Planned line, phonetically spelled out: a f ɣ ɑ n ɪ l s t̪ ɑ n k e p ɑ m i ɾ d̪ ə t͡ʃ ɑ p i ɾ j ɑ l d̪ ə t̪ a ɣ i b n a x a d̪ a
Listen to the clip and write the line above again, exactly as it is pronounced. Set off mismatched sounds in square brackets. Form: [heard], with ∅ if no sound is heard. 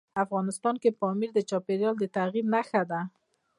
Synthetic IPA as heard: a f ɣ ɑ n ɪ [∅] s t̪ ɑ n k e p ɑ m i ɾ d̪ ə t͡ʃ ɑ p [e] ɾ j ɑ l d̪ ə t̪ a ɣ i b n a x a d̪ a